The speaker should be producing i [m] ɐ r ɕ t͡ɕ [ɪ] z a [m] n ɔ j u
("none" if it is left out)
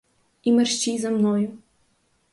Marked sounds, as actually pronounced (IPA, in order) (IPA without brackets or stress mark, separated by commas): m, i, m